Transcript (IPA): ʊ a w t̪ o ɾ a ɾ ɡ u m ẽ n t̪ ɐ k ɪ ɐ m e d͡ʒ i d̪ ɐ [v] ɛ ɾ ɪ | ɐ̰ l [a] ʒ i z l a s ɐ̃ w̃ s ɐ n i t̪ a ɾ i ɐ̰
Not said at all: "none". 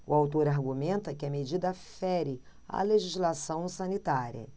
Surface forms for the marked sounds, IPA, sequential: f, e

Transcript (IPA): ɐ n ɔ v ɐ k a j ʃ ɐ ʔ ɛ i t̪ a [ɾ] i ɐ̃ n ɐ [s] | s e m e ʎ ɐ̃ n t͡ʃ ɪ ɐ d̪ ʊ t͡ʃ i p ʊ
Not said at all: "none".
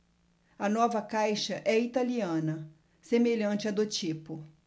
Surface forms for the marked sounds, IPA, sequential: l, none

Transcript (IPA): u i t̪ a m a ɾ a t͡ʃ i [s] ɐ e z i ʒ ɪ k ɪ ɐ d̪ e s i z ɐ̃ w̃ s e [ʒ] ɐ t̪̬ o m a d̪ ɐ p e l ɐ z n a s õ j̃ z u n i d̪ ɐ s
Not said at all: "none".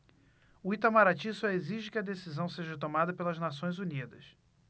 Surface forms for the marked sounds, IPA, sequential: s, ʒ

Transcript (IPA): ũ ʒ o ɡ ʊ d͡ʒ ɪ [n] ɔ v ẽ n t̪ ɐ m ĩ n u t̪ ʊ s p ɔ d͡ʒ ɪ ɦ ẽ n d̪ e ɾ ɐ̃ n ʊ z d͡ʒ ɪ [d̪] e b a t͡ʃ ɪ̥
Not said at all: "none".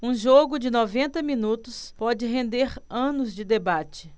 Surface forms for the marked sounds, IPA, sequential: n, d̪

